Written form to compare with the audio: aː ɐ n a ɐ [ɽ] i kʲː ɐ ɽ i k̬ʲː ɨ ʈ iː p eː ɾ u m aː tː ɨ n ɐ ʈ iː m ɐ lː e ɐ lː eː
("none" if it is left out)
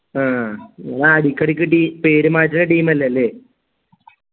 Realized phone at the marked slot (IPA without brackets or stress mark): ɽ